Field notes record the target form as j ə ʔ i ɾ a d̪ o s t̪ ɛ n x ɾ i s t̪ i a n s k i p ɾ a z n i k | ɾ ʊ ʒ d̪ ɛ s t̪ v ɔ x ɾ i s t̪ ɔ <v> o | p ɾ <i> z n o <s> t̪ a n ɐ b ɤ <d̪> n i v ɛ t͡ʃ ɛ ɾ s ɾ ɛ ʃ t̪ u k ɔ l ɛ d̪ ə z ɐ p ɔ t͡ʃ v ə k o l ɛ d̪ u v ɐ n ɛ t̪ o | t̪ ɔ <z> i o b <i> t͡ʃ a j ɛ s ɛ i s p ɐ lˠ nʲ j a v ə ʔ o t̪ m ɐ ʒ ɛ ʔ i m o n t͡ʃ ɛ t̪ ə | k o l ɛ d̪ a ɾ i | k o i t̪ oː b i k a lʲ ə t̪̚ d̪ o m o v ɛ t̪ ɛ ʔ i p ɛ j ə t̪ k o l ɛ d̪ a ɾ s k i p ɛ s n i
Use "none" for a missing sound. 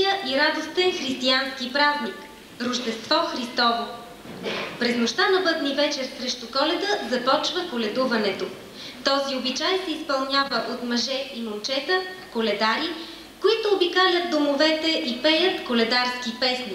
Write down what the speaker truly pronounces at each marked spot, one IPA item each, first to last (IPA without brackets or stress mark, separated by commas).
v, ɛ, ʃ, d̪, z, i